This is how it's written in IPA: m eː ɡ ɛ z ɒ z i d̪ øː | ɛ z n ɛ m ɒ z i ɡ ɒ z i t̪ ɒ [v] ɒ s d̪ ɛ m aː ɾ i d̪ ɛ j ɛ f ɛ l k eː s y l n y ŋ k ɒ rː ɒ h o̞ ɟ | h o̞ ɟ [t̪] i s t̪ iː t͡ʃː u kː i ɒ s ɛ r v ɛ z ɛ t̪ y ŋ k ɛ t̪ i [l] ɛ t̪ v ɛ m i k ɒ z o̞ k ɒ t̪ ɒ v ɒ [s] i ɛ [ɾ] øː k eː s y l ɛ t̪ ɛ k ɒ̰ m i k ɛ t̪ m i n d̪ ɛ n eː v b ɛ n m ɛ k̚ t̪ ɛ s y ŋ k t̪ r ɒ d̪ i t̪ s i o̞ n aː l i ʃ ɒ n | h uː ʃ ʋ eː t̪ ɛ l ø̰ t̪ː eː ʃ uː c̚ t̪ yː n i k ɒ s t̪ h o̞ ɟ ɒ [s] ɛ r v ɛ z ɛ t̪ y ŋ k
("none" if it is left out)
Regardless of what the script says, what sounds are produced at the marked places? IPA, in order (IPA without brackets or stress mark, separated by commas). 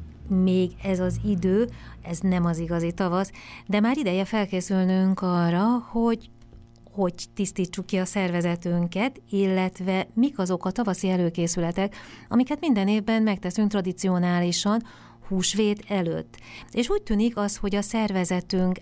v, t̪, lː, s, l, s